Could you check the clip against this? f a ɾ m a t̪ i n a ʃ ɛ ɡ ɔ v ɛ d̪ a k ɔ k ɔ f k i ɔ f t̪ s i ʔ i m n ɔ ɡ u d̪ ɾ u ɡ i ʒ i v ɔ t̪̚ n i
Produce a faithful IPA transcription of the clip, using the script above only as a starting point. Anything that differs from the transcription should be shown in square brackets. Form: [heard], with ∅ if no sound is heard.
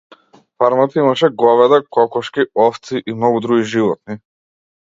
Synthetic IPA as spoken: f a ɾ m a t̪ i [m] a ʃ ɛ ɡ ɔ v ɛ d̪ a k ɔ k ɔ [ʃ] k i ɔ f t̪ s i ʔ i m n ɔ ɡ u d̪ ɾ u ɡ i ʒ i v ɔ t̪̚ n i

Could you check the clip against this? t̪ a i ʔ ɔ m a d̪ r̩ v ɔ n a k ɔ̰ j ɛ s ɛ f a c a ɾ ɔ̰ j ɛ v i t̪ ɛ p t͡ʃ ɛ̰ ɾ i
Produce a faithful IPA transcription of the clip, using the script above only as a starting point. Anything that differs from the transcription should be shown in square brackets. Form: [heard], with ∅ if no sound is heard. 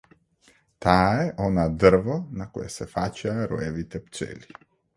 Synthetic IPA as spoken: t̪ a [ɛ] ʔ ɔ [n] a d̪ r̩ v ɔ n a k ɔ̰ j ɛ s ɛ f a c a ɾ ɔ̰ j ɛ v i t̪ ɛ p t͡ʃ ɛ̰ [l] i

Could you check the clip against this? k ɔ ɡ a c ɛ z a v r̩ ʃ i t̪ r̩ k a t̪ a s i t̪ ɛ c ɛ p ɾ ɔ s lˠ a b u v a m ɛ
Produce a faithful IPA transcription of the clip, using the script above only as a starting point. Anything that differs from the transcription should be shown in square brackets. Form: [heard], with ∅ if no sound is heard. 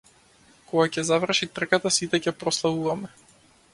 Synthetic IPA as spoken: k ɔ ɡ a c ɛ z a v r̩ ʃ i t̪ r̩ k a t̪ a s i t̪ ɛ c ɛ p ɾ ɔ s lˠ a [v] u v a m ɛ

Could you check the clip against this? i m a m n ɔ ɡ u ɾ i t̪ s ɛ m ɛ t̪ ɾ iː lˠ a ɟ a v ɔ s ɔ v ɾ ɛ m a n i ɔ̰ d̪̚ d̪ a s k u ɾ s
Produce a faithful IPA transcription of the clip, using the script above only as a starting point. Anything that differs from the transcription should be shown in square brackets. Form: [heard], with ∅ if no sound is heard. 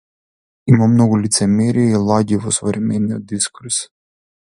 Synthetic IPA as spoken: i m a m n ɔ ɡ u [l] i t̪ s ɛ m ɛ [∅] ɾ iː lˠ a ɟ [i] v ɔ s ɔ v ɾ ɛ m [ɛ] n i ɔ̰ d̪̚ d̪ [i] s k u ɾ s

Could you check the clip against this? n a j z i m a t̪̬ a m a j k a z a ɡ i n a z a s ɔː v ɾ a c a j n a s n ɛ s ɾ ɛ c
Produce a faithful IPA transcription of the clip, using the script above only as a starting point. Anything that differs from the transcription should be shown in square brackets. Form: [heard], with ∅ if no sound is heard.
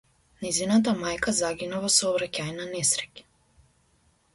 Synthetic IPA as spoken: n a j z i [n] a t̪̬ a m a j k a z a ɡ i n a [v] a s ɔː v ɾ a c a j n a [∅] n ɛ s ɾ ɛ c

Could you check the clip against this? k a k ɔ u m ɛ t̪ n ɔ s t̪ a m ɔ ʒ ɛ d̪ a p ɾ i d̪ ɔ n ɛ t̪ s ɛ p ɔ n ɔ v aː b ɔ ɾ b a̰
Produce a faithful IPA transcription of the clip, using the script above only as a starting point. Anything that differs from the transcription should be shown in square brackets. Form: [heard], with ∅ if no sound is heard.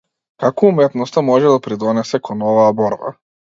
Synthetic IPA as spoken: k a k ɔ u m ɛ t̪ n ɔ s t̪ a m ɔ ʒ ɛ d̪ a p ɾ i d̪ ɔ n ɛ [∅] s ɛ [k] ɔ n ɔ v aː b ɔ ɾ b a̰

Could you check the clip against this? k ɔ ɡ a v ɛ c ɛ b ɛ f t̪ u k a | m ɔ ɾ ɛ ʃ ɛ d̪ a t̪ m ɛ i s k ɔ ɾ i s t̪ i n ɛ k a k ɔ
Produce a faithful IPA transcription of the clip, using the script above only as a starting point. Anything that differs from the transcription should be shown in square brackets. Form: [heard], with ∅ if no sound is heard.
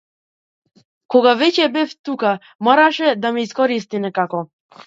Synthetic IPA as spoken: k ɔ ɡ a v ɛ c ɛ b ɛ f t̪ u k a | m ɔ ɾ [a] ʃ ɛ d̪ a [∅] m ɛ i s k ɔ ɾ i s t̪ i n ɛ k a k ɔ

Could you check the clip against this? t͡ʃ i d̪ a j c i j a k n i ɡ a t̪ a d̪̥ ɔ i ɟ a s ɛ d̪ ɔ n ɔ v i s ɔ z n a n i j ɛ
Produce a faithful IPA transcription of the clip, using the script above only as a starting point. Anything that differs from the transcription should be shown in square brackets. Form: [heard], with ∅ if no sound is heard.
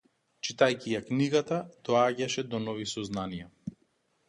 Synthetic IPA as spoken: t͡ʃ i [t̪] a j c i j a k n i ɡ a t̪ a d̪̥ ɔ [a] ɟ a [ʃ] ɛ d̪ ɔ n ɔ v i s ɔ z n a n i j [a]

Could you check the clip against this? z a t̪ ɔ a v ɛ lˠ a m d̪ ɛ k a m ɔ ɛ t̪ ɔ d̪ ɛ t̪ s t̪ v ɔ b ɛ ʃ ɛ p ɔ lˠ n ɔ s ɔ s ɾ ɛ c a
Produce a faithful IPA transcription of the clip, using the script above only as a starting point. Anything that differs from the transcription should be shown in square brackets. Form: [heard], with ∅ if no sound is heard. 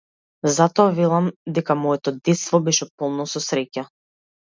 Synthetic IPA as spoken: z a t̪ ɔ a v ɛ lˠ a m d̪ ɛ k a m ɔ ɛ t̪ ɔ d̪ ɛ t̪ s t̪ v ɔ b ɛ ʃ ɛ p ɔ lˠ n ɔ s ɔ s ɾ ɛ c a

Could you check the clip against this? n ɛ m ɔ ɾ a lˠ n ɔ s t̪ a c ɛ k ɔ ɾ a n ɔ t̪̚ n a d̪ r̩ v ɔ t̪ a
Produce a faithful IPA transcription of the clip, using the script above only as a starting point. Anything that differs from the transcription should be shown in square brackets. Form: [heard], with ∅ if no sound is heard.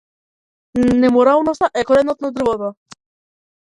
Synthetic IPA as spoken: n ɛ m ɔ ɾ a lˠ n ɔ s t̪ a [ʔ] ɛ k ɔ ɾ [ɛ] n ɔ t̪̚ n a d̪ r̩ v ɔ t̪ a

